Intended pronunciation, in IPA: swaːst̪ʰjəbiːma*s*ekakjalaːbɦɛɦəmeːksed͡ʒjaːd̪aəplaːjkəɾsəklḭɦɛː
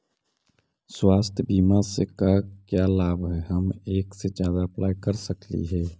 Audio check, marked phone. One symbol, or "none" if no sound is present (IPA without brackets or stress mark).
s